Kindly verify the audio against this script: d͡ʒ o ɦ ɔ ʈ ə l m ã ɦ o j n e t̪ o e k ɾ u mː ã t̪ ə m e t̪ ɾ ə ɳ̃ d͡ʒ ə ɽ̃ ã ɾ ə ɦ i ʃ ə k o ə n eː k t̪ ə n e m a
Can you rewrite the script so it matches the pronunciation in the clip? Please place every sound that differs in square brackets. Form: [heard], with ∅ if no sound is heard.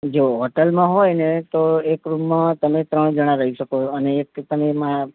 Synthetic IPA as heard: d͡ʒ o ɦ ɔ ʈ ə l m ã ɦ o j n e t̪ o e k ɾ u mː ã t̪ ə m e t̪ ɾ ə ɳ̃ d͡ʒ ə ɽ̃ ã ɾ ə ɦ i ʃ ə k o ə n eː k t̪ ə [m] e m a